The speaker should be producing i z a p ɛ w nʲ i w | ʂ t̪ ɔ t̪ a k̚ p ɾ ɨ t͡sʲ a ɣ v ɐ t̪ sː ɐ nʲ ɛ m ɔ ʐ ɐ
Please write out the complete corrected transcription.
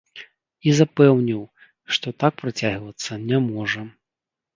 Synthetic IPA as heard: i z a p ɛ w nʲ i w | ʂ t̪ ɔ t̪ a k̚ p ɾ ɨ t͡sʲ a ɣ v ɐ t̪ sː ɐ nʲ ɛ m ɔ ʐ ɐ